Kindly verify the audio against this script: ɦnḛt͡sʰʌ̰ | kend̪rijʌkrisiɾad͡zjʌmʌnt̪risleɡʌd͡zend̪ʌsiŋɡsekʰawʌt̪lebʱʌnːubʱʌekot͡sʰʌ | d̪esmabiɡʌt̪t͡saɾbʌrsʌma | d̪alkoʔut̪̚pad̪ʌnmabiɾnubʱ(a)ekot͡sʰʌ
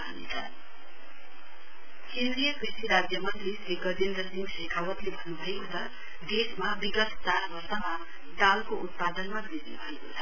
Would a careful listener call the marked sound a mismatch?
yes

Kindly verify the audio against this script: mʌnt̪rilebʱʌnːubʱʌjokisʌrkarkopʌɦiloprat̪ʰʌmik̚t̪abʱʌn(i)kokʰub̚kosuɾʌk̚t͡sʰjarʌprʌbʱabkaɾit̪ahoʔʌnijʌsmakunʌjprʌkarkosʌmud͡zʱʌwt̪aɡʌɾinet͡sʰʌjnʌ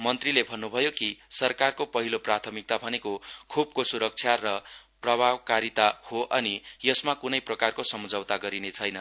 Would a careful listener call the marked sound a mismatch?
yes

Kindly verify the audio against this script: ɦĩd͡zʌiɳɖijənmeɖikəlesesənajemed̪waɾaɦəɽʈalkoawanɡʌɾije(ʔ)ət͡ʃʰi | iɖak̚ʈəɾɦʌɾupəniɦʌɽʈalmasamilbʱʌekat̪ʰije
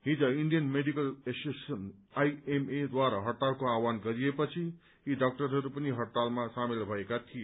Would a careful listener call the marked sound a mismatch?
yes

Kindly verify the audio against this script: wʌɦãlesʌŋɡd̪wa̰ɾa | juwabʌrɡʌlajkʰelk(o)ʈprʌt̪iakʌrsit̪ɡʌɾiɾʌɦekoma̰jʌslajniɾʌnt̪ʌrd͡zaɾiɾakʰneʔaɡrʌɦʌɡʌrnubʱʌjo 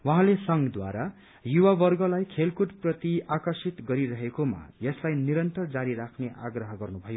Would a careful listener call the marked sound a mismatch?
yes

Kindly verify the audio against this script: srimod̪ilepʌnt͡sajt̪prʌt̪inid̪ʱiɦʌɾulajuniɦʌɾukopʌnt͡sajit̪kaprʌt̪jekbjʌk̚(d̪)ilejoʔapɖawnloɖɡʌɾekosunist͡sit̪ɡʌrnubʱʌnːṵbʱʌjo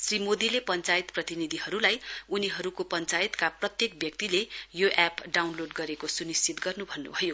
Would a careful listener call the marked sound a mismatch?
yes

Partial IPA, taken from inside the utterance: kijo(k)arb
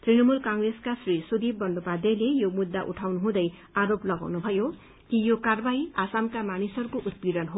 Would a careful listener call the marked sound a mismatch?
no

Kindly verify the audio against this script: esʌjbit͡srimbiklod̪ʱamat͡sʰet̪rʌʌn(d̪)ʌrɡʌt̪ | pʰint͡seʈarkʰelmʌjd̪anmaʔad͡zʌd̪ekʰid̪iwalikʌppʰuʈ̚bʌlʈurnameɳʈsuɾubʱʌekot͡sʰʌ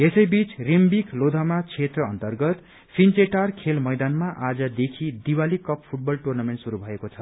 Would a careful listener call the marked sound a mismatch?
yes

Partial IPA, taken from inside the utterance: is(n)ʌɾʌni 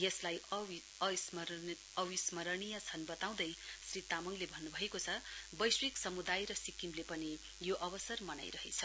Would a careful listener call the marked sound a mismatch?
yes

